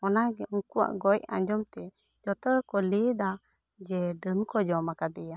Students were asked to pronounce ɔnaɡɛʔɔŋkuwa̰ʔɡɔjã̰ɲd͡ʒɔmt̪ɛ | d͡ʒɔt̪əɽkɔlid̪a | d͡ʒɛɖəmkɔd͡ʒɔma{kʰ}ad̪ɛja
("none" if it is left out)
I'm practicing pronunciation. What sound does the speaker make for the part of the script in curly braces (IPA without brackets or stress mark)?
k